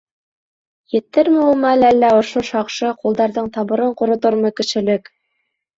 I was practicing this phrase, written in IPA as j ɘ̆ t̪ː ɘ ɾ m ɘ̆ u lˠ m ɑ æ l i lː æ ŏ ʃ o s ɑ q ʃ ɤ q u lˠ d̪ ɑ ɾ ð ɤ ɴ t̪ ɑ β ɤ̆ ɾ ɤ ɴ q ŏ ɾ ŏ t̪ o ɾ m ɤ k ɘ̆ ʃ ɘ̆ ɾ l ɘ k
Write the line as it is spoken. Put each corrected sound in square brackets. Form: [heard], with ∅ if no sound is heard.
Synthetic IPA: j ɘ̆ t̪ː ɘ ɾ m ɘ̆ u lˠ m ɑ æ l [æ] lː æ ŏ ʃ o [ʃ] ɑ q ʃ ɤ q u lˠ d̪ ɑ ɾ ð ɤ ɴ t̪ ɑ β ɤ̆ ɾ ɤ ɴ q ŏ ɾ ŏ t̪ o ɾ m ɤ k ɘ̆ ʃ ɘ̆ [∅] l ɘ k